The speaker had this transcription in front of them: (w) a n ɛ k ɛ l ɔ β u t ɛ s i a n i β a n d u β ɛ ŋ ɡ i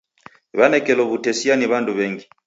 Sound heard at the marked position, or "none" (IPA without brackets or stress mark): β